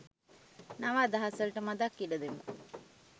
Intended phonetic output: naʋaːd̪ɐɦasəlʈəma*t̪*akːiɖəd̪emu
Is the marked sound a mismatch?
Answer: yes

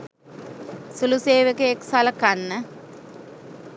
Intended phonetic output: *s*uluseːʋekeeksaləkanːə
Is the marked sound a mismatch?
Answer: no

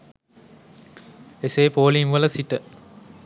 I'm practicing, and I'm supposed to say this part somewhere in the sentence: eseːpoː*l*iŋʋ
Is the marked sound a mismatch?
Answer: no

